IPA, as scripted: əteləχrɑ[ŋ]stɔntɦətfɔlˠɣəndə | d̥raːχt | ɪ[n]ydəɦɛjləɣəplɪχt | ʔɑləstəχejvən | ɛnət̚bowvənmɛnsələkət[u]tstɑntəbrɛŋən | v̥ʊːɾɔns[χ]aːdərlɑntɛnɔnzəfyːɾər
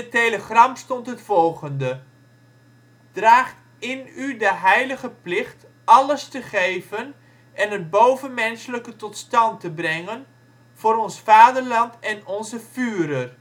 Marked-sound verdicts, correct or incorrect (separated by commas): incorrect, correct, incorrect, incorrect